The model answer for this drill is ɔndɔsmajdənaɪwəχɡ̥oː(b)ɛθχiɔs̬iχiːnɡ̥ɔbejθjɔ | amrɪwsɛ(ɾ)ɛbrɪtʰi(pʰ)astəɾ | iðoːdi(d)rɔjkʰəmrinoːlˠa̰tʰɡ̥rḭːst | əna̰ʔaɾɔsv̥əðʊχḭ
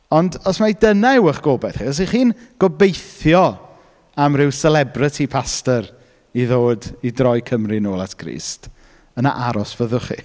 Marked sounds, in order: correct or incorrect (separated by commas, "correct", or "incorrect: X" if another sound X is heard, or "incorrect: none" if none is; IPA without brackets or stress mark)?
correct, incorrect: l, correct, correct